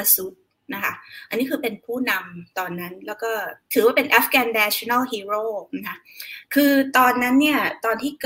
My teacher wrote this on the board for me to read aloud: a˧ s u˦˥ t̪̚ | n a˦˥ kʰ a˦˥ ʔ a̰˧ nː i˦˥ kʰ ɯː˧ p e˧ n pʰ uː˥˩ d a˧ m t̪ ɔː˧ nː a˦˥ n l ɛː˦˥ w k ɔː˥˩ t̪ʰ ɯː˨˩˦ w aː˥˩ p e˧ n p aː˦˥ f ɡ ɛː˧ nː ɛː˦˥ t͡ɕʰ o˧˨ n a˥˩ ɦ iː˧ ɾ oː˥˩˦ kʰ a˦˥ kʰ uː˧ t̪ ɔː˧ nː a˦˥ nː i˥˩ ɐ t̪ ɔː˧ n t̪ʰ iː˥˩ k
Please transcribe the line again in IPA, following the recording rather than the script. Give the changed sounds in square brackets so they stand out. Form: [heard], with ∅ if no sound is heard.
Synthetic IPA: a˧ s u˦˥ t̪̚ | n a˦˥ kʰ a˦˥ ʔ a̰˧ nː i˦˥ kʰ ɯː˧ p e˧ n pʰ uː˥˩ [n] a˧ m t̪ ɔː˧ nː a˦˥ n l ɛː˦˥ w k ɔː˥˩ t̪ʰ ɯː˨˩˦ w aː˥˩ p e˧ n [ʔ] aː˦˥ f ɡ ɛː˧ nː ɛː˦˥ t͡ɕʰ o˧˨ n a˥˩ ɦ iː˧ ɾ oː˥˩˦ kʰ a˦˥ kʰ [ɯː˧] t̪ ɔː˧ nː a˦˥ nː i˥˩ ɐ t̪ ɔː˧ n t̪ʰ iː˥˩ k